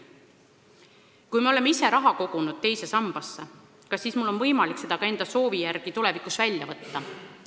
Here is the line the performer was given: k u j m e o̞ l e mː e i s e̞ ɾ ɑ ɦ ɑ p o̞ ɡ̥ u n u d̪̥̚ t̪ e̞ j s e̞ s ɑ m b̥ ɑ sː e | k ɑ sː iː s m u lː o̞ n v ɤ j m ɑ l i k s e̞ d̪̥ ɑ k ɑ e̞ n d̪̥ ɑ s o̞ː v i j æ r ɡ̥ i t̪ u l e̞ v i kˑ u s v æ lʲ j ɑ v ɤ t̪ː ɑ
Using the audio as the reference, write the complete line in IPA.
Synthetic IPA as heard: k u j m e o̞ l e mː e i s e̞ ɾ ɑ ɦ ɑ k o̞ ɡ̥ u n u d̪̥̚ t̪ e̞ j s e̞ s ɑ m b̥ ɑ sː e | k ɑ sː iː s m u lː o̞ n v ɤ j m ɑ l i k s e̞ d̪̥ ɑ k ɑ e̞ n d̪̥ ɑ s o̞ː v i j æ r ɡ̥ i t̪ u l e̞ v i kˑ u s v æ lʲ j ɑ v ɤ t̪ː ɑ

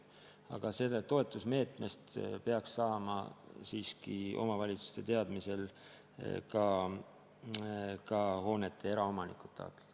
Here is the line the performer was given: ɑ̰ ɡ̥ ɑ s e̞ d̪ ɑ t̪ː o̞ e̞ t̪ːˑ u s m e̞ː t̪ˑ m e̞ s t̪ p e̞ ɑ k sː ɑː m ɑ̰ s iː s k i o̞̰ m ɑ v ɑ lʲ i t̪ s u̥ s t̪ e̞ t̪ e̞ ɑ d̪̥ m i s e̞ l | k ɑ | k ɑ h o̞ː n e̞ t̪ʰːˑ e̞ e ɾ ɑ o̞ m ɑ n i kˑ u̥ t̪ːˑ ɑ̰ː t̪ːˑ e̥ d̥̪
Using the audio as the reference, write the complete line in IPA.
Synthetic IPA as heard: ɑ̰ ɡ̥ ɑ s e̞ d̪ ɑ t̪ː o̞ e̞ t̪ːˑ u s m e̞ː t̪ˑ m e̞ s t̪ p e̞ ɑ k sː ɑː m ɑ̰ s iː s k i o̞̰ m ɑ v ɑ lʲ i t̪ s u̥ s t̪ e̞ t̪ e̞ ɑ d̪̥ m i s e̞ l | k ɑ | k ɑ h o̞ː n e̞ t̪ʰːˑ e̞ e ɾ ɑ o̞ m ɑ n i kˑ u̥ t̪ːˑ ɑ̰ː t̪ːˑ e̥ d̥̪

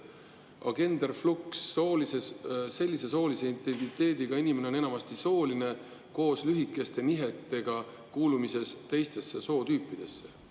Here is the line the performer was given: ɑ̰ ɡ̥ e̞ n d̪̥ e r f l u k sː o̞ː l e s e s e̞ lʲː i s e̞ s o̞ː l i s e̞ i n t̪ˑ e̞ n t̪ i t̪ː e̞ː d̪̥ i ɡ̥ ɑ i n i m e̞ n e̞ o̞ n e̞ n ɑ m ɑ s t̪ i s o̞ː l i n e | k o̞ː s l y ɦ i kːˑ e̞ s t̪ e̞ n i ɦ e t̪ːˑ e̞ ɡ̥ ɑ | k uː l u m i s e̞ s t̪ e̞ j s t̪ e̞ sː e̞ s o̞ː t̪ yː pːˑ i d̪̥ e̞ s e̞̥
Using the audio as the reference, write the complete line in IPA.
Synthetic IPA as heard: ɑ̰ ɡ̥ e̞ n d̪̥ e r f l u k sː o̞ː l i s e s e̞ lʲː i s e̞ s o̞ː l i s e̞ i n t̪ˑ e̞ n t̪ i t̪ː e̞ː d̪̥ i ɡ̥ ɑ i n i m e̞ n e̞ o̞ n e̞ n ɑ m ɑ s t̪ i s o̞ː l i n e | k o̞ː s l y ɦ i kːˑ e̞ s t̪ e̞ n i ɦ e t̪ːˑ e̞ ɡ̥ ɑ | k uː l u m i s e̞ s t̪ e̞ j s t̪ e̞ sː e̞ s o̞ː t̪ yː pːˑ i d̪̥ e̞ sː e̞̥

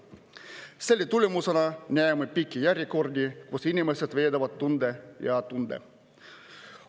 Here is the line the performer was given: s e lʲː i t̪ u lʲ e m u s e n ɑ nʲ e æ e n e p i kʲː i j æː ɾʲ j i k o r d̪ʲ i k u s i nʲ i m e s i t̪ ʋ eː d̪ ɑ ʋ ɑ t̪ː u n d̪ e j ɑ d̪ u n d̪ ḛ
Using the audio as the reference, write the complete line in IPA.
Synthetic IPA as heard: s e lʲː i t̪ u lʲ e m u s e n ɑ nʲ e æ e m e p i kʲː i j æ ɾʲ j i k o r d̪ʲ i k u s i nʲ i m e s e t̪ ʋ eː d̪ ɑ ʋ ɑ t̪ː u n d̪ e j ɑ t̪ u n d̪ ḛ

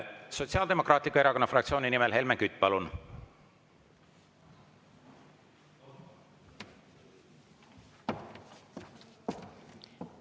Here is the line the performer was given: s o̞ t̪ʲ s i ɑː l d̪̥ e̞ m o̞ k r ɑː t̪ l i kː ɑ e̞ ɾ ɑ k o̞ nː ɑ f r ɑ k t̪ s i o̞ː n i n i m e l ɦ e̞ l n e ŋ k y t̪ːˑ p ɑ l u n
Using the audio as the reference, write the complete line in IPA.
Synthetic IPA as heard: s o̞ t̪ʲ s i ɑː l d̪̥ e̞ m o̞ k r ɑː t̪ l i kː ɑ e̞ ɾ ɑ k o̞ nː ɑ f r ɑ k t̪ s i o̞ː n i n i m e l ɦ e̞ l m e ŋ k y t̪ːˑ p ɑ l u n

